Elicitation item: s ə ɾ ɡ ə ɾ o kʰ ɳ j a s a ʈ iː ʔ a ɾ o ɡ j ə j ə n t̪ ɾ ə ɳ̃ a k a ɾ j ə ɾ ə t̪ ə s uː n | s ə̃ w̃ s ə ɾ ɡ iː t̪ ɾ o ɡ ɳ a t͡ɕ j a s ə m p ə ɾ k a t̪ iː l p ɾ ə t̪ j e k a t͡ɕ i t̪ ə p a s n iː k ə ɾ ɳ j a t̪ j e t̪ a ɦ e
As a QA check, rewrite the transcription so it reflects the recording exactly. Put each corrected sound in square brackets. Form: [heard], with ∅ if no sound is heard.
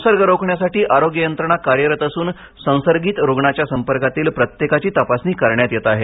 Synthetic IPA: s ə ɾ ɡ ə ɾ o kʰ ɳ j a s a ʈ iː ʔ a ɾ o ɡ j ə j ə n t̪ ɾ ə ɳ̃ a k a ɾ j ə ɾ ə t̪ ə s uː n | s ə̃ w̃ s ə ɾ ɡ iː t̪ ɾ o ɡ ɳ a t͡ɕ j a s ə m p ə ɾ k a t̪ iː l p ɾ ə t̪ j e k a t͡ɕ [iː] t̪ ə p a s n iː k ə ɾ ɳ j a t̪ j e t̪ a ɦ e